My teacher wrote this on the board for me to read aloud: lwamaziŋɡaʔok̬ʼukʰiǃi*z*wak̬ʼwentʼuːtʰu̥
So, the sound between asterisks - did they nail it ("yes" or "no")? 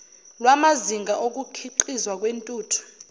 yes